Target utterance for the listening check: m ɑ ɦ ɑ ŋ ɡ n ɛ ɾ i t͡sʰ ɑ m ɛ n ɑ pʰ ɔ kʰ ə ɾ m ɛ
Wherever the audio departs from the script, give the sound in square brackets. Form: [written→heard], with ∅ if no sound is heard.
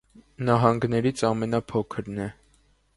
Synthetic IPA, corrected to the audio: [m→n] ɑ ɦ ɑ ŋ ɡ n ɛ ɾ i t͡sʰ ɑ m ɛ n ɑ pʰ ɔ kʰ ə ɾ [m→n] ɛ